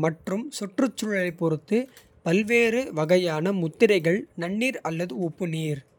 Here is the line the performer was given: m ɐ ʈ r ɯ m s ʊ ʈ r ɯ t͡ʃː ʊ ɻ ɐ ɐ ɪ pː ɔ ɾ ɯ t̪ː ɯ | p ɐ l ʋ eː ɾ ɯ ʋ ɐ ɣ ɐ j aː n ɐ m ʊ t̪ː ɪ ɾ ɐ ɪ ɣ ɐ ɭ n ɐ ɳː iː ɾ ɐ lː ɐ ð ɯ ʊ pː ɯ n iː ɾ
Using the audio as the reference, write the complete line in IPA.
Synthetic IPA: m ɐ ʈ r ɯ m s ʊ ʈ r ɯ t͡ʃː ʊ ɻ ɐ ɐ ɪ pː ɔ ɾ ɯ t̪ː ɯ | p ɐ l ʋ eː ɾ ɯ ʋ ɐ ɣ ɐ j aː n ɐ m ʊ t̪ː ɪ ɾ ɐ ɪ ɣ ɐ ɭ n ɐ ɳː iː ɾ ɐ lː ɐ ð ɯ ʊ pː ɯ n iː ɾ